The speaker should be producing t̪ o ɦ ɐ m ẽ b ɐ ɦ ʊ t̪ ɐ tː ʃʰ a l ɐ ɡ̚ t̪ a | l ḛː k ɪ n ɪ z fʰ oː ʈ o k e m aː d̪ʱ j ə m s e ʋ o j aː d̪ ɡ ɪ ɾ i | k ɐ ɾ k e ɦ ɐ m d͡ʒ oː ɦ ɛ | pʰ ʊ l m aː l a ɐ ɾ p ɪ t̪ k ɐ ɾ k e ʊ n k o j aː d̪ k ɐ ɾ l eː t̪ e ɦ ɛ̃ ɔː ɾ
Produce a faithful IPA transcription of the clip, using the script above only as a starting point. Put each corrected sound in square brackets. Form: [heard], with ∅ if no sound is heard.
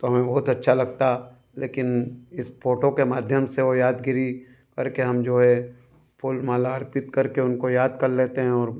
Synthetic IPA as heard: t̪ o ɦ ɐ m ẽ b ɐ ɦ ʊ t̪ ɐ tː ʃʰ a l ɐ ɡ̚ t̪ a | l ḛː k ɪ n ɪ [s] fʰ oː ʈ o k e m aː d̪ʱ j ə m s e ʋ o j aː d̪ ɡ ɪ ɾ i | k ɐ ɾ k e ɦ ɐ m d͡ʒ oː ɦ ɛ | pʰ ʊ l m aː l a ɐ ɾ p ɪ t̪ k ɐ ɾ k e ʊ n k o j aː d̪ k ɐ ɾ l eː t̪ e ɦ ɛ̃ ɔː ɾ